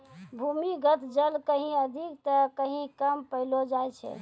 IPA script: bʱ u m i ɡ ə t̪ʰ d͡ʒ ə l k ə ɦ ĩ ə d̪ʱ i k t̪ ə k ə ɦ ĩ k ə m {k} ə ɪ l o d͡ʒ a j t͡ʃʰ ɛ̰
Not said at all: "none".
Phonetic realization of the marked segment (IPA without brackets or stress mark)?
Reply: p